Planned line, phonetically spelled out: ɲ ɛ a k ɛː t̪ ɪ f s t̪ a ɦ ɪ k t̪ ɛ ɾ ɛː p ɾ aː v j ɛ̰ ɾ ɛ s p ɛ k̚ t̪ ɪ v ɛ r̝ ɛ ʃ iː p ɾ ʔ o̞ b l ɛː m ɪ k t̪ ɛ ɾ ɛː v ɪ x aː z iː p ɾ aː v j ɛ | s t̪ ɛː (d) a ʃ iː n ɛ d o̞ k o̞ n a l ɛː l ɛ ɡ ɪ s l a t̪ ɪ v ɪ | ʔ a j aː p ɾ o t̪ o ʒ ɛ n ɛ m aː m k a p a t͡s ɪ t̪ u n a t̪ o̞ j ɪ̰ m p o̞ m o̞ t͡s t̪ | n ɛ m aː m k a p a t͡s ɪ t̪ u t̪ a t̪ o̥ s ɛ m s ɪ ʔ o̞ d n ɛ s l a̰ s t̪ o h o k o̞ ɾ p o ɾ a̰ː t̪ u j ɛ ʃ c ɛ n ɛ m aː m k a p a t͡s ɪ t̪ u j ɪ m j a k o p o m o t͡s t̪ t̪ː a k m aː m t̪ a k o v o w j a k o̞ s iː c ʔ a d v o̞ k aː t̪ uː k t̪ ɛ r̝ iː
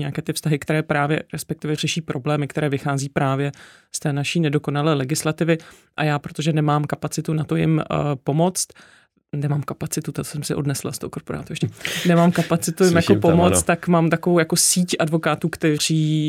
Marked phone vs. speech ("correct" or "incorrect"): incorrect